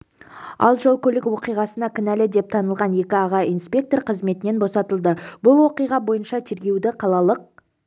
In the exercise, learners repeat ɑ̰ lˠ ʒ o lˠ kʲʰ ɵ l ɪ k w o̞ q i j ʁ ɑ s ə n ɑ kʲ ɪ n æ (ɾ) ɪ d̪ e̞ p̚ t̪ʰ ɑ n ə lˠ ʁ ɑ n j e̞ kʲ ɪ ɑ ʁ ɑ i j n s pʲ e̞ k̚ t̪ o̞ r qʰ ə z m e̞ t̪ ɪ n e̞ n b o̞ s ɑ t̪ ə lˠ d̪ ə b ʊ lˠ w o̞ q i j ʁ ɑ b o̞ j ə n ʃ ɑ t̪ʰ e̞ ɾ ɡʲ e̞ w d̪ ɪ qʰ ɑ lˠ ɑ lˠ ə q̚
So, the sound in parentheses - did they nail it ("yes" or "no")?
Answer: no